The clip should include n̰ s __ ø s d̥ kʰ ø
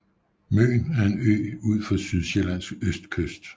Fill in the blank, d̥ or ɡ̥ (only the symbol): ɡ̥